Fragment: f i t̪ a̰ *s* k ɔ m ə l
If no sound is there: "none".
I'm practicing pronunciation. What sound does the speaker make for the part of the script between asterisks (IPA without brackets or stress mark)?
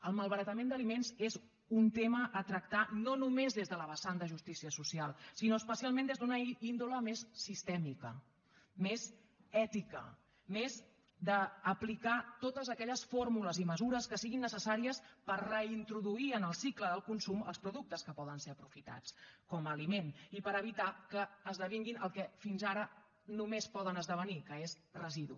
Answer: t͡s